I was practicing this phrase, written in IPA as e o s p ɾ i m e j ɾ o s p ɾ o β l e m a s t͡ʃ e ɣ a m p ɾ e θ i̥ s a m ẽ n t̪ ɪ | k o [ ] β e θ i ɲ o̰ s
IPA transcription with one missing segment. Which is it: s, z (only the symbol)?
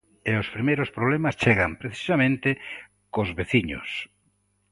z